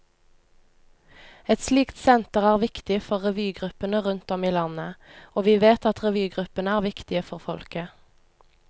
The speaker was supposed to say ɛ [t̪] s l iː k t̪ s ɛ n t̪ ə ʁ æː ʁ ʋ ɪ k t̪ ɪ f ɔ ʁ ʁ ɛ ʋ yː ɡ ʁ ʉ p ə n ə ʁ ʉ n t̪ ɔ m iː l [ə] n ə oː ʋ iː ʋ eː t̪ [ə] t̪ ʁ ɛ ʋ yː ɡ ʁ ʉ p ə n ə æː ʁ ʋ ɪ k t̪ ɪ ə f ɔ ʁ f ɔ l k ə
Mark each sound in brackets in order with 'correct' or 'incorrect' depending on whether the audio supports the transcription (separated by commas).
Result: correct, incorrect, incorrect